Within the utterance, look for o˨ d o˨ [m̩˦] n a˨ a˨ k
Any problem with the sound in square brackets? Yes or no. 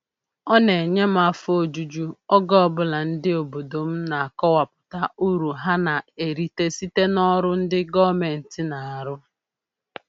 no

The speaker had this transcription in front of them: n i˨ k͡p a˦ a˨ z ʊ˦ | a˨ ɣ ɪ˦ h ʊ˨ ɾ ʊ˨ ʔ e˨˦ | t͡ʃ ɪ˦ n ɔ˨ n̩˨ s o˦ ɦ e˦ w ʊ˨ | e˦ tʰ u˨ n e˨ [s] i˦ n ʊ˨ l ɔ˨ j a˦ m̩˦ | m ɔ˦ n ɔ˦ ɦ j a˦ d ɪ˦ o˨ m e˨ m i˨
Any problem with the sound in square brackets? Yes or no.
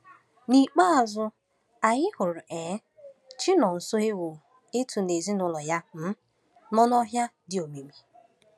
yes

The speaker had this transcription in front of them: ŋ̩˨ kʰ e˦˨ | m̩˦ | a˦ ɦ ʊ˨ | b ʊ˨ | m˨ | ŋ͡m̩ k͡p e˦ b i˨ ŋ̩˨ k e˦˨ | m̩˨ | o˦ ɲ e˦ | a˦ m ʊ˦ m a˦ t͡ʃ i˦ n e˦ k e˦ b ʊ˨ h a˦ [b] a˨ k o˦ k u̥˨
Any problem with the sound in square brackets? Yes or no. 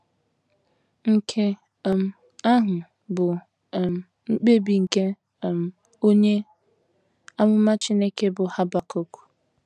no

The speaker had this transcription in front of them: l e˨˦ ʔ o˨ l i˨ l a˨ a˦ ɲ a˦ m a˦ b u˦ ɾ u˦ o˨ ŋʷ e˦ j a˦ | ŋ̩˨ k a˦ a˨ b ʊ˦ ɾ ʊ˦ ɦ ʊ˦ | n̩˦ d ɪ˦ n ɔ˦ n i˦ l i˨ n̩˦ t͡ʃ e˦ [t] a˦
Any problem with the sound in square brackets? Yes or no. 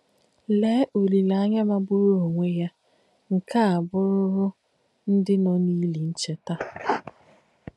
no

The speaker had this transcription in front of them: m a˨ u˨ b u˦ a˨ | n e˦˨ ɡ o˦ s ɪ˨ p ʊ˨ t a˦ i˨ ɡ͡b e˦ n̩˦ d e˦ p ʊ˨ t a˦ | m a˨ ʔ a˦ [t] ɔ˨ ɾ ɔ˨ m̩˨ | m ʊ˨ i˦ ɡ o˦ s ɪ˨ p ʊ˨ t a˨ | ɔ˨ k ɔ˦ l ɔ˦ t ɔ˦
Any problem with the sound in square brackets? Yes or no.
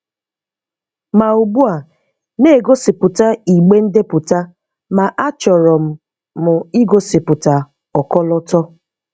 yes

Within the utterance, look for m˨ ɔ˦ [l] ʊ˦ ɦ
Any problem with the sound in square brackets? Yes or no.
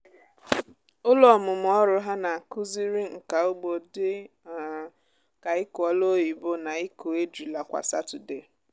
yes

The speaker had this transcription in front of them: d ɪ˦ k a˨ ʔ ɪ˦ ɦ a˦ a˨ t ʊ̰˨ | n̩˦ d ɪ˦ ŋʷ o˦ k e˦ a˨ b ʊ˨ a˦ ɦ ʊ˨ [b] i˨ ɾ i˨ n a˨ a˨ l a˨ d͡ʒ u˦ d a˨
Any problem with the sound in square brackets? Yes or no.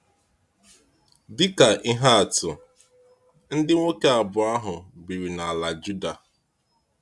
no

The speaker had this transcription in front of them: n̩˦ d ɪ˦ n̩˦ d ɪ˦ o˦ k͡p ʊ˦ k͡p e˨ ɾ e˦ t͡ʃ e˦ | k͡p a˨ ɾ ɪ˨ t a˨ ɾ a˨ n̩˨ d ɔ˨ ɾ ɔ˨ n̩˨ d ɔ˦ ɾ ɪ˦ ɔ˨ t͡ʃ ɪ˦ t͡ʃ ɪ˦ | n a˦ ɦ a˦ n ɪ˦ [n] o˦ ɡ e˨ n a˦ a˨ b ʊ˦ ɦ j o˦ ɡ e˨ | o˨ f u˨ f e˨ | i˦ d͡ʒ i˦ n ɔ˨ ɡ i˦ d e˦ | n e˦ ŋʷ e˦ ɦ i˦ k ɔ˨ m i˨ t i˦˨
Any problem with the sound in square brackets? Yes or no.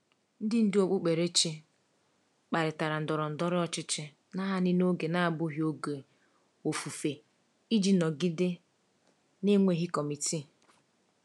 no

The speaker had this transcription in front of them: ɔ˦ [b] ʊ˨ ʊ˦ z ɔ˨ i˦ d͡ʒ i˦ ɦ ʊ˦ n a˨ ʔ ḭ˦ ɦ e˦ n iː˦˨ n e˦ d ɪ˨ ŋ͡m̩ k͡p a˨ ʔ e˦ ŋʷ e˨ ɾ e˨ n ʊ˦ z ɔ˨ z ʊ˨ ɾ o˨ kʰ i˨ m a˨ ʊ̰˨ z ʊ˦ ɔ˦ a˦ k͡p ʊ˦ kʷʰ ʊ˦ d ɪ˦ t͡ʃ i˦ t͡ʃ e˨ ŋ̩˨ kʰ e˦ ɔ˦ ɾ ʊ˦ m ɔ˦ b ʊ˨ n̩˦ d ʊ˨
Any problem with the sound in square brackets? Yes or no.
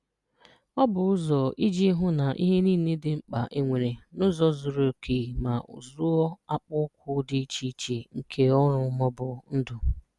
no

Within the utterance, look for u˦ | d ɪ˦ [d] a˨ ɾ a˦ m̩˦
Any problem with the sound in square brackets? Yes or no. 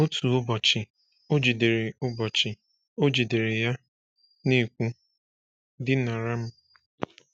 yes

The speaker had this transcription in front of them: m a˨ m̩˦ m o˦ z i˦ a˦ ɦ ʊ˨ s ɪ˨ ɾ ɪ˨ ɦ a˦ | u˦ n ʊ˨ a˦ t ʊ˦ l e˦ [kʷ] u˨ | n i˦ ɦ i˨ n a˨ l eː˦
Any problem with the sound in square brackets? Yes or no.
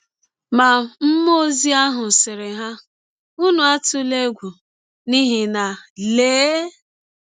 yes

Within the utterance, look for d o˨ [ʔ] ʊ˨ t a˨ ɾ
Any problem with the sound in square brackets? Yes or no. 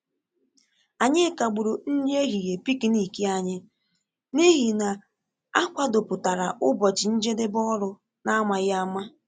yes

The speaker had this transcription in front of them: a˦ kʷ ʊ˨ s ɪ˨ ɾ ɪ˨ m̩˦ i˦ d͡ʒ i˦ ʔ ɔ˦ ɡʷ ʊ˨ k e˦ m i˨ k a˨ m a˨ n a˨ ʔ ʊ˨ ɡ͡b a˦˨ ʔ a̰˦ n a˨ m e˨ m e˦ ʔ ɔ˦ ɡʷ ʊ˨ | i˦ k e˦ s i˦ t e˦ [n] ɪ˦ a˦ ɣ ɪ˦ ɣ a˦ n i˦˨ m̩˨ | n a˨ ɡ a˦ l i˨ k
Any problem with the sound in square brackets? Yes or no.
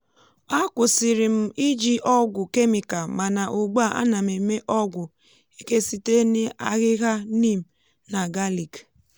no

